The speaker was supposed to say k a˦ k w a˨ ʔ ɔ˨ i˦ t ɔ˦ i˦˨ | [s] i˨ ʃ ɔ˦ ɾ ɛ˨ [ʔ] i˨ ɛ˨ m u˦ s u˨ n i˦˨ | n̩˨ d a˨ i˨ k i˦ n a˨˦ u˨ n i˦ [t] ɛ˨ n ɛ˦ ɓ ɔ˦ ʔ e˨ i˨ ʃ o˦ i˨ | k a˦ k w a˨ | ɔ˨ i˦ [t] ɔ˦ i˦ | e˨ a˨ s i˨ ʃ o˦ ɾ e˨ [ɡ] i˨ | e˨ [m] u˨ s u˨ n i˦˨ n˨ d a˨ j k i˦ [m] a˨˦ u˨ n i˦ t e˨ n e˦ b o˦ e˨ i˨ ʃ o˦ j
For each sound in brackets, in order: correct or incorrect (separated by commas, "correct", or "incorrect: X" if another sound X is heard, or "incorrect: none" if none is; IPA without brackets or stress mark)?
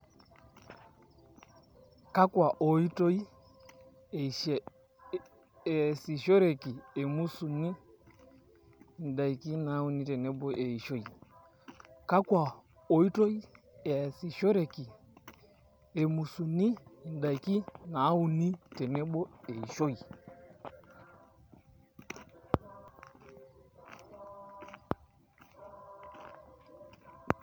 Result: correct, incorrect: k, correct, correct, incorrect: k, correct, incorrect: n